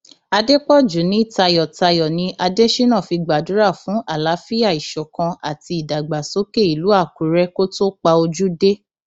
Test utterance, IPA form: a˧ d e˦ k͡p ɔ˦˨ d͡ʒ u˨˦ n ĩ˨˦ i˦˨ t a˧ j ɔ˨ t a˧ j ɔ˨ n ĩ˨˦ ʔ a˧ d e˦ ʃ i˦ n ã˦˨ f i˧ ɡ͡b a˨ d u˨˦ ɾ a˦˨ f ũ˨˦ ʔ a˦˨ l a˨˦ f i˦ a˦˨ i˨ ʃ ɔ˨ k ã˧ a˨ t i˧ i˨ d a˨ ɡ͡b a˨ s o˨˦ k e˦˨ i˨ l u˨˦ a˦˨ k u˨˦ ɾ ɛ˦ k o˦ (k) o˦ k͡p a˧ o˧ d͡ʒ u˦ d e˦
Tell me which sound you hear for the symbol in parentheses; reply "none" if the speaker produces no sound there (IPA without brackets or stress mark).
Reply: t